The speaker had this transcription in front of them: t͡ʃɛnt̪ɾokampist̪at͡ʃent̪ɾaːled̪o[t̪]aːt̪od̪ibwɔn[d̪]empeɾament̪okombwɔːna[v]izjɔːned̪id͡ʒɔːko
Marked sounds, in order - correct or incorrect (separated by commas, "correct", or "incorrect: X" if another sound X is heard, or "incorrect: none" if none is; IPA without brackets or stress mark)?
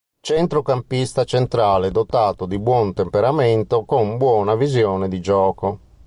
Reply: correct, incorrect: t̪, correct